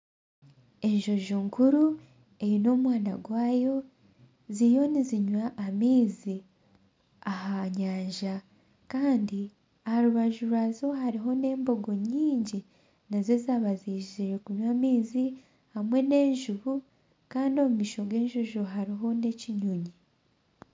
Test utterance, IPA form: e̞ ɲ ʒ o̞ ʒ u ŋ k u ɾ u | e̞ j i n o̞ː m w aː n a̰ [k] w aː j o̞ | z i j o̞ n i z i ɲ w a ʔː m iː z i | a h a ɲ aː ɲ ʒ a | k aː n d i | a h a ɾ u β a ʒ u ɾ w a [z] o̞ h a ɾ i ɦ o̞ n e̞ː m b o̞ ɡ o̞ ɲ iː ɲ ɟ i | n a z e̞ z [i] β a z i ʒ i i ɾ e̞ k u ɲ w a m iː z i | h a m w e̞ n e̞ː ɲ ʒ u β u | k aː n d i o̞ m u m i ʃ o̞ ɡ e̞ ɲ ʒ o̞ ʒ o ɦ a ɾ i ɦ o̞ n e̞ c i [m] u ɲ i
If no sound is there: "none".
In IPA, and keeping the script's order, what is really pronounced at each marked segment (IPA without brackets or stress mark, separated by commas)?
ɡ, z, a, ɲ